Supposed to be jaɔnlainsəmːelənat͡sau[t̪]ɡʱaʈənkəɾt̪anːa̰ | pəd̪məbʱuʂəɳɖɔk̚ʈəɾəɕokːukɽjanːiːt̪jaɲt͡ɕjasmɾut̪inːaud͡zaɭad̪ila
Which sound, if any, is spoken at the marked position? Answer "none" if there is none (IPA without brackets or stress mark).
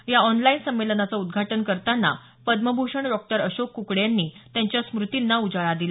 d̪